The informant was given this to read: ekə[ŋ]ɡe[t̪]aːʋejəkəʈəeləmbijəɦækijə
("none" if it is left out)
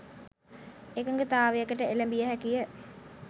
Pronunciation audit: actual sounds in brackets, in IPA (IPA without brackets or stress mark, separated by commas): ŋ, t̪